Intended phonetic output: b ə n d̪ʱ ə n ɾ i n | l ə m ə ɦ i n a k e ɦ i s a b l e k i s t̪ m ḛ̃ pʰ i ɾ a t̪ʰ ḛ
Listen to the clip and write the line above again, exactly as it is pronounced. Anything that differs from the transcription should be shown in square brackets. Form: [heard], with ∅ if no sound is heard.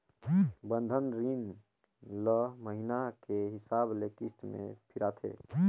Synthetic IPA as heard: b ə n d̪ʱ ə n ɾ i n | l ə m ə ɦ i n a k e ɦ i s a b l e k i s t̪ m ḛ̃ pʰ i ɾ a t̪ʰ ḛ